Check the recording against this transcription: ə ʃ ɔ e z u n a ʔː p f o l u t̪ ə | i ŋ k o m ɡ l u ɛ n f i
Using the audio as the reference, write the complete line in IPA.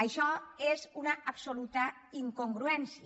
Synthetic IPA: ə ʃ ɔ e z u n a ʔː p s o l u t̪ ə | i ŋ k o ŋ ɡ ɾ u ɛ n s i